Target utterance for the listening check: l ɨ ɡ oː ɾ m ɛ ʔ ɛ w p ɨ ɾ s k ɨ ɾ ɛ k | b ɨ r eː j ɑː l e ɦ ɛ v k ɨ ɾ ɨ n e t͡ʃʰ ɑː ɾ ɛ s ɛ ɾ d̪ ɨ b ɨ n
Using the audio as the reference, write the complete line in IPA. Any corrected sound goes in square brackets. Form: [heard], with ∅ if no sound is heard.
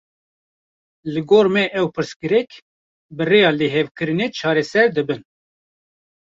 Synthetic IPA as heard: l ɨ ɡ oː ɾ m ɛ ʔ ɛ w p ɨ ɾ s k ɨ ɾ ɛ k | b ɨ r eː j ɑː l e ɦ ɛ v k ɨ ɾ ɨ n e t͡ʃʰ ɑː ɾ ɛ s ɛ ɾ d̪ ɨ b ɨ n